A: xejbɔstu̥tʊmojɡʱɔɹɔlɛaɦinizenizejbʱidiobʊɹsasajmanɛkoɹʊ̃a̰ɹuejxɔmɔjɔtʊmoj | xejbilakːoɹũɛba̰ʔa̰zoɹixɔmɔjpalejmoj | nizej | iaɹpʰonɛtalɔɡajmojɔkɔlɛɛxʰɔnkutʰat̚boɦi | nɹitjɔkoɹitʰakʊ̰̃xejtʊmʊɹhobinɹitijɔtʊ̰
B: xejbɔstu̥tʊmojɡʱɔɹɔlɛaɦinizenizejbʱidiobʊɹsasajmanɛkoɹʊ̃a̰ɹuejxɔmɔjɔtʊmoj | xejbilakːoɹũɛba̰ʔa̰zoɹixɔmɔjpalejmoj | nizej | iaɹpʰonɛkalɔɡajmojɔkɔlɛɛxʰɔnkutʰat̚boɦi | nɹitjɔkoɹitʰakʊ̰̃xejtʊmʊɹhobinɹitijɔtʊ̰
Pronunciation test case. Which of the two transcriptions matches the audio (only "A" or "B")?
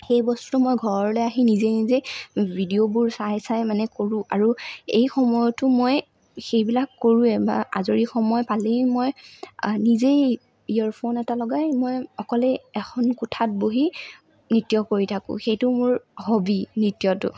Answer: A